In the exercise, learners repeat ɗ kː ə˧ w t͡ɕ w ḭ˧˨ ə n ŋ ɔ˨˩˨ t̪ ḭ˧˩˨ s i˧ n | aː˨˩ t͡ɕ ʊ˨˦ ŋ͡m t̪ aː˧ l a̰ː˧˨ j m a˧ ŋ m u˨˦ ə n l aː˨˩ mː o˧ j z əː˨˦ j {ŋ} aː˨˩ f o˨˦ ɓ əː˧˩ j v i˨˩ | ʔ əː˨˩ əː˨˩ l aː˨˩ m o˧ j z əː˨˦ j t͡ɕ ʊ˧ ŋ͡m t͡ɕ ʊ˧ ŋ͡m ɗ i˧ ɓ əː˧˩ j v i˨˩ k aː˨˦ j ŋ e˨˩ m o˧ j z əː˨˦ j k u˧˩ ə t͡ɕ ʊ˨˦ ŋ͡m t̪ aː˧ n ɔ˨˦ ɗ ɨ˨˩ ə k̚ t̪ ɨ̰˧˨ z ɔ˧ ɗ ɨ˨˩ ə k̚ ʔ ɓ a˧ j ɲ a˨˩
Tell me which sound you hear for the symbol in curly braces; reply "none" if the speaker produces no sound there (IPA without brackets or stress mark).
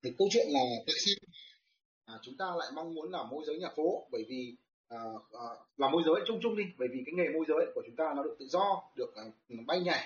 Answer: ɲ